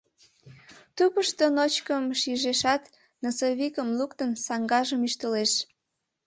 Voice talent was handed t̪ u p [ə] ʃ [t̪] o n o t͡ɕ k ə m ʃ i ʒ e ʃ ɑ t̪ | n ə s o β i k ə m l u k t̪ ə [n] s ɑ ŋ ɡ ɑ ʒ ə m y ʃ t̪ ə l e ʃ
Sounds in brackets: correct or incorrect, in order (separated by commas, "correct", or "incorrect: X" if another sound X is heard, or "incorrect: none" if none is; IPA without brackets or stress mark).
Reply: correct, correct, correct